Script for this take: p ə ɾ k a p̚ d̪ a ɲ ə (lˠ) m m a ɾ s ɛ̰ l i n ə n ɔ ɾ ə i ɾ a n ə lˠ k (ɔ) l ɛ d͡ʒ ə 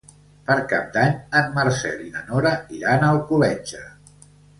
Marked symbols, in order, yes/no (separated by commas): no, no